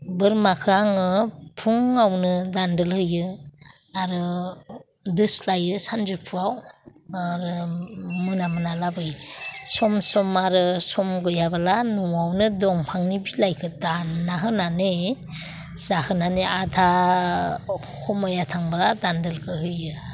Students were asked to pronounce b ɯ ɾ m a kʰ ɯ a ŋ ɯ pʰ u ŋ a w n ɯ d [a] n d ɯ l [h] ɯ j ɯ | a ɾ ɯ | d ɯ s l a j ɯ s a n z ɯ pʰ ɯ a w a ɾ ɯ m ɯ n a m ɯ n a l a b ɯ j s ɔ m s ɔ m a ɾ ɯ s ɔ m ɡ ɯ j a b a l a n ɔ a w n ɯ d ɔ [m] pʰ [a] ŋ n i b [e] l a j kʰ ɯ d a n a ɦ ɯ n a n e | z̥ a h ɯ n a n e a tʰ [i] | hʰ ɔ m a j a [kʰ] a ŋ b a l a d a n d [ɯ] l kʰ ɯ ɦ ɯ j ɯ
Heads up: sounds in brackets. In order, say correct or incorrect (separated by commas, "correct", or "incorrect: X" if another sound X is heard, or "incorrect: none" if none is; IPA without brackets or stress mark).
correct, correct, incorrect: ŋ, correct, incorrect: i, incorrect: a, incorrect: tʰ, correct